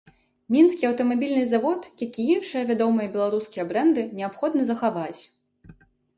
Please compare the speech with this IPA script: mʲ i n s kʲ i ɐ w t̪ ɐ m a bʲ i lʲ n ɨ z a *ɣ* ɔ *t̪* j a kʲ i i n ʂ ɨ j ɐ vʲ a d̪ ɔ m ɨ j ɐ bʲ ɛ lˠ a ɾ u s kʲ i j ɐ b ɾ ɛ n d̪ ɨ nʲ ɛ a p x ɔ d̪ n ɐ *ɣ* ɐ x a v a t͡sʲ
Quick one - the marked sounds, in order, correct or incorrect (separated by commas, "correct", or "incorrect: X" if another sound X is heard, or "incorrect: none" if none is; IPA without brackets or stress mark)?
incorrect: v, correct, incorrect: z